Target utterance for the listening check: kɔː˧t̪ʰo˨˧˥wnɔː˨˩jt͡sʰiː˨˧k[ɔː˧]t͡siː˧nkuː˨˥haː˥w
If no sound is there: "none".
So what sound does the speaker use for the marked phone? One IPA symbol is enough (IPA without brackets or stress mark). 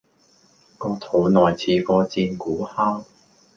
ɔː˧